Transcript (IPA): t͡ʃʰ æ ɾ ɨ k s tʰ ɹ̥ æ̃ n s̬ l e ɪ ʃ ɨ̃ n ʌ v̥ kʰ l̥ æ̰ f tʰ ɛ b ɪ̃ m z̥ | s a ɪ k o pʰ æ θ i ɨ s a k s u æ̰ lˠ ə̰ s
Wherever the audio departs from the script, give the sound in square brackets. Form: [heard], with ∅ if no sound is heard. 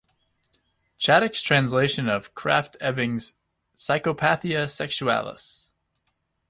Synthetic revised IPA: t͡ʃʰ æ ɾ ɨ k s tʰ ɹ̥ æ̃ n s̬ l e ɪ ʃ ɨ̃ n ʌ v̥ kʰ [ɹ̥] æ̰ f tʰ ɛ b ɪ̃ [ŋ] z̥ | s a ɪ k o pʰ æ θ i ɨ s [ɛ] k [ʃ] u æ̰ lˠ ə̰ s